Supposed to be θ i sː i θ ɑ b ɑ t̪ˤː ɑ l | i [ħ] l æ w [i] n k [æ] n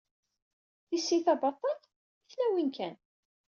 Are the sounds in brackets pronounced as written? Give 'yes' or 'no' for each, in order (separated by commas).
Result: no, yes, yes